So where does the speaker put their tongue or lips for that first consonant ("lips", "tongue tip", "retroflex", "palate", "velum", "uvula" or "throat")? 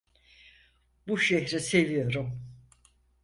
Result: lips